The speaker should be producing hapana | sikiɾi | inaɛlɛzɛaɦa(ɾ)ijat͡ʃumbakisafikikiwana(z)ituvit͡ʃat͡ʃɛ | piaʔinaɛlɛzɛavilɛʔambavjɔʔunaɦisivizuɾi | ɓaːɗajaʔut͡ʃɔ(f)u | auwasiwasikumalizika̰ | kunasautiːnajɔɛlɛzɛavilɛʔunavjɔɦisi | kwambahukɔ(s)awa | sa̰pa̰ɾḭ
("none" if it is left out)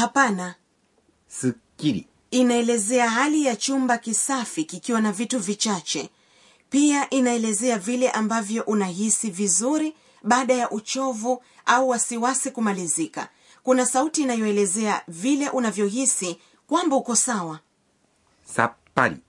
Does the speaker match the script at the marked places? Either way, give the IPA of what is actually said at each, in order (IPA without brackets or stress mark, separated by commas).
l, v, v, s